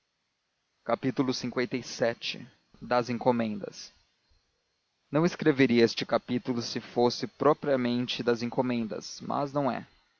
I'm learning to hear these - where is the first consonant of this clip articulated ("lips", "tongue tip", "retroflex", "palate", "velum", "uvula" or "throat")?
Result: velum